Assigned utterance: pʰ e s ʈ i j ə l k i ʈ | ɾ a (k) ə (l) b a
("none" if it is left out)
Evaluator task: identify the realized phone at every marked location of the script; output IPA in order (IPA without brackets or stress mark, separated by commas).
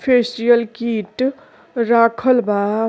kʰ, l